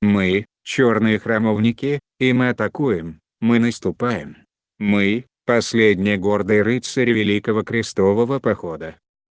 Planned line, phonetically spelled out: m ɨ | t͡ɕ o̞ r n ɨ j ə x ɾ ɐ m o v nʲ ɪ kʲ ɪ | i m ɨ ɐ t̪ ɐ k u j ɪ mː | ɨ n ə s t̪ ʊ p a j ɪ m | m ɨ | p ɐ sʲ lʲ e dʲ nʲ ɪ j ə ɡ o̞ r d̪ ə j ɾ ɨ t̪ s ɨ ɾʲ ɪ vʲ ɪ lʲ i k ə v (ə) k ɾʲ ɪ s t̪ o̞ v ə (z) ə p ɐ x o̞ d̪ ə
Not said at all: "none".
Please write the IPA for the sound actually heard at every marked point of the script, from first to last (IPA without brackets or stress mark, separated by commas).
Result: ə, v